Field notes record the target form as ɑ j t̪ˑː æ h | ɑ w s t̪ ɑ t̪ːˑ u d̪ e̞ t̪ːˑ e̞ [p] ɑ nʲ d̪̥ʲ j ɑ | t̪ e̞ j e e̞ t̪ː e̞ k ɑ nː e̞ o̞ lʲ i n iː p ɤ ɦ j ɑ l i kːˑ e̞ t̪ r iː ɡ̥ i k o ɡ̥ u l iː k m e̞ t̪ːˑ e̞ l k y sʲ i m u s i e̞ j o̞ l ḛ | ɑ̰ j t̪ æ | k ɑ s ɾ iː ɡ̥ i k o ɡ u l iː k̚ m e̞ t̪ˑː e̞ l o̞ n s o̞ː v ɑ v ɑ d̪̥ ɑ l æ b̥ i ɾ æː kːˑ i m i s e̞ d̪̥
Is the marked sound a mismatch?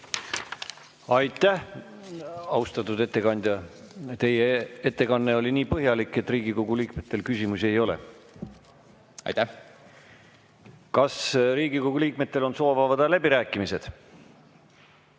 yes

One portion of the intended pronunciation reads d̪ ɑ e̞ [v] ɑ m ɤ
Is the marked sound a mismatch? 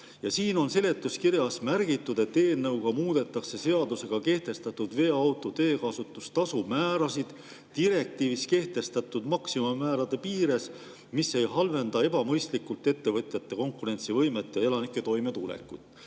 yes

